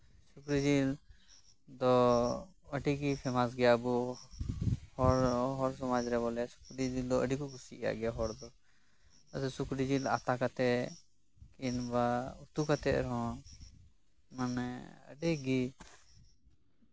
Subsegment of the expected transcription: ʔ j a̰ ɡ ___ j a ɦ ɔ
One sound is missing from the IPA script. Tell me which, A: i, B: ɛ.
B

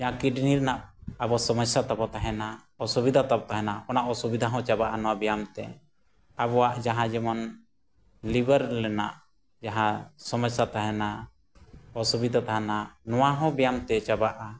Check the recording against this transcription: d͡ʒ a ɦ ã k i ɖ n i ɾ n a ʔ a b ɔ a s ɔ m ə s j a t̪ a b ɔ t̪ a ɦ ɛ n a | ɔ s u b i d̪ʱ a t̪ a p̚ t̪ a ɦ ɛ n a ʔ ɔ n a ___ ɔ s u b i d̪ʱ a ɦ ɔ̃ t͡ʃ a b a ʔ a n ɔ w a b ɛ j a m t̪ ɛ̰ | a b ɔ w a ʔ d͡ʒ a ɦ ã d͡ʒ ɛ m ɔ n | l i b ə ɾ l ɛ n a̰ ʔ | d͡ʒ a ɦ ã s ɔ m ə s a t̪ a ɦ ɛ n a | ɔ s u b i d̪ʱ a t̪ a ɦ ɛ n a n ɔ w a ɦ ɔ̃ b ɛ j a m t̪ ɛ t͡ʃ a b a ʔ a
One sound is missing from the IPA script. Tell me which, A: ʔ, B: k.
A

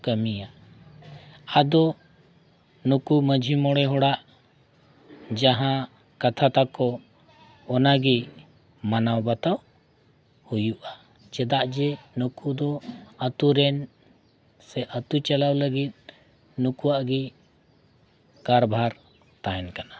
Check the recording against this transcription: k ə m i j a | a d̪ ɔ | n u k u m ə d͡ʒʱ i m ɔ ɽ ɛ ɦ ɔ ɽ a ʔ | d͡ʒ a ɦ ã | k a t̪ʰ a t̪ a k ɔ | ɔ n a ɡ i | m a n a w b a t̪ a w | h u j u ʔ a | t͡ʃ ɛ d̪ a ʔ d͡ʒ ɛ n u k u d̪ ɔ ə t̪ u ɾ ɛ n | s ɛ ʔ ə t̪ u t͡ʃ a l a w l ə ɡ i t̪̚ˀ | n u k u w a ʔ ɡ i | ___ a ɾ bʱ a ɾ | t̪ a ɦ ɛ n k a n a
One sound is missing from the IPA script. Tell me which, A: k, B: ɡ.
A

